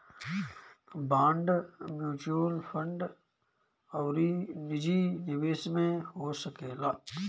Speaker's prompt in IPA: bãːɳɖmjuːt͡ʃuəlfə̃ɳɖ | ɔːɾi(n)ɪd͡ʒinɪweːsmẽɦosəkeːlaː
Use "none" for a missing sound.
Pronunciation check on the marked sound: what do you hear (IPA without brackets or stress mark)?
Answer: n